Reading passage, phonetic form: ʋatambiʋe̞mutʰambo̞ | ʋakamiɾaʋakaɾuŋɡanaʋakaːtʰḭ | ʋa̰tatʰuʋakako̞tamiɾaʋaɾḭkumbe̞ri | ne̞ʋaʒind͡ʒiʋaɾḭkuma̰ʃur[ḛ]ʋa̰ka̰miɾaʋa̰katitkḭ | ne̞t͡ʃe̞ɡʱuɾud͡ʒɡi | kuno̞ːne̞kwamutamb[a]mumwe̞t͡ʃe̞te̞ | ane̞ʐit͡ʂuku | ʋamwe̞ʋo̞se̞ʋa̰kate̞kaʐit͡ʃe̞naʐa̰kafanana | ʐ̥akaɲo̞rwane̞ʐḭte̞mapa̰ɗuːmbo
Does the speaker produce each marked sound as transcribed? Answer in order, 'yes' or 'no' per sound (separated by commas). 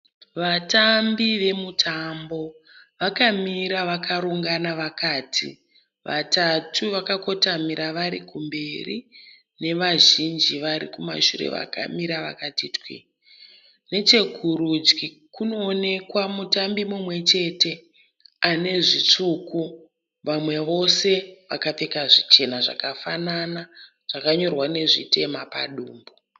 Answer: yes, no